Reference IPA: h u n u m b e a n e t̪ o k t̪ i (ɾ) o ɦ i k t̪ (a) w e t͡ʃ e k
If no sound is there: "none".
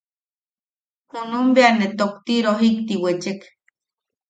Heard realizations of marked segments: ɾ, i

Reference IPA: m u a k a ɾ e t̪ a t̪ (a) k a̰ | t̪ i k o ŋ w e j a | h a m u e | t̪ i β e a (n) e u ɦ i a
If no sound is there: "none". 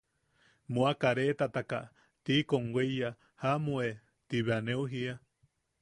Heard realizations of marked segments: a, n

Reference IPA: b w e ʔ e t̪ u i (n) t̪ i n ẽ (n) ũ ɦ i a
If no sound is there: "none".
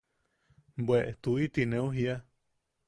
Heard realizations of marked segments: none, none

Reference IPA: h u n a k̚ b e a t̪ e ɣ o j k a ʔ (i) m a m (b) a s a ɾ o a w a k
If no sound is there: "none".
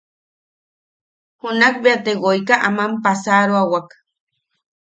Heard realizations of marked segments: a, p

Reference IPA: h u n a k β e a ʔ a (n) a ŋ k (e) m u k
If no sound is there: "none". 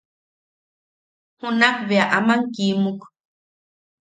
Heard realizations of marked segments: m, i

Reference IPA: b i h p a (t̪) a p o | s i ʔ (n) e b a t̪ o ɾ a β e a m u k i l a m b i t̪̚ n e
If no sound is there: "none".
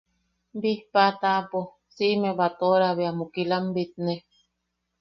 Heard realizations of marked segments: t̪, m

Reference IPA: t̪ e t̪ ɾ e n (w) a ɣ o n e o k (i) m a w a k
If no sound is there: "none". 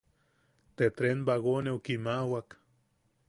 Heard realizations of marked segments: b, i

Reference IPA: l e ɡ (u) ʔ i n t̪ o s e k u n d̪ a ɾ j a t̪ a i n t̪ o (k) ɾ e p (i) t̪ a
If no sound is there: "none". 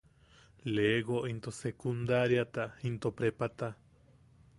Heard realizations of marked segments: o, p, a

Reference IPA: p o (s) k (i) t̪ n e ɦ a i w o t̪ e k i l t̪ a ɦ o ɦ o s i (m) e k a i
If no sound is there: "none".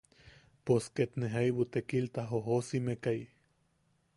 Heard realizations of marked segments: s, e, m

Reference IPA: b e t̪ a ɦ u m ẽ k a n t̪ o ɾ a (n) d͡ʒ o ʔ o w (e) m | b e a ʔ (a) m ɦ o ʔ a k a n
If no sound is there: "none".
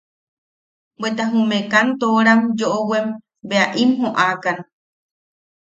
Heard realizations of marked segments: m, e, i

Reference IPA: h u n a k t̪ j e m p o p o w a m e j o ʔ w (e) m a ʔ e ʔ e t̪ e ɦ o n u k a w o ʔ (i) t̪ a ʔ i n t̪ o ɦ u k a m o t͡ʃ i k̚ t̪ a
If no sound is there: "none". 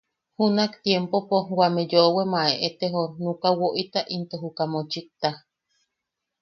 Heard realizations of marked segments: e, i

